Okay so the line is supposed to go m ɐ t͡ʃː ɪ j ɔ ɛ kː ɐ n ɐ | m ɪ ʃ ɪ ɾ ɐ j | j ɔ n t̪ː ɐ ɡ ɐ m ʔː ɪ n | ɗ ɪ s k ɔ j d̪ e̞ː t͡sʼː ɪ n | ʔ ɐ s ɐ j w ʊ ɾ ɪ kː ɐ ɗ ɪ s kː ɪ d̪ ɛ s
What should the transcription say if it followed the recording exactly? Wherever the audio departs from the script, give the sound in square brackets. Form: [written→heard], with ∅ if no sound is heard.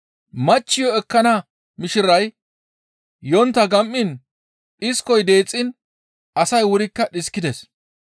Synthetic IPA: m ɐ t͡ʃː ɪ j ɔ ɛ kː ɐ n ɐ | m ɪ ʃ ɪ ɾ ɐ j | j ɔ n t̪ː ɐ ɡ ɐ m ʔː ɪ n | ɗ ɪ s k ɔ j d̪ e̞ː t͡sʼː ɪ n | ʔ ɐ s ɐ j w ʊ ɾ ɪ kː ɐ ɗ ɪ s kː ɪ d̪ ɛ s